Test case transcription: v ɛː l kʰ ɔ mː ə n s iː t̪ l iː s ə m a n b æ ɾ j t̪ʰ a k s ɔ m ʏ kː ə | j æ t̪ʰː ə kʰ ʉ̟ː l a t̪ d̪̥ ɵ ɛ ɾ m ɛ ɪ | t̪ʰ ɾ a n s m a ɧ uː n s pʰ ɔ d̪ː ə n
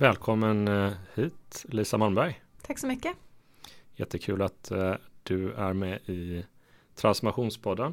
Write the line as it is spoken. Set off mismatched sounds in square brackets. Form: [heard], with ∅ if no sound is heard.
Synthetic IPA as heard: v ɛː l kʰ ɔ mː ə n [h] iː t̪ l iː s [a] m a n b æ ɾ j t̪ʰ a k s ɔ m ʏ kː ə | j [ɛ] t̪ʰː ə kʰ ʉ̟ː l a t̪ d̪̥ ɵ [æ] ɾ m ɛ ɪ | t̪ʰ ɾ a n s m a ɧ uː n s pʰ ɔ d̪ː ə n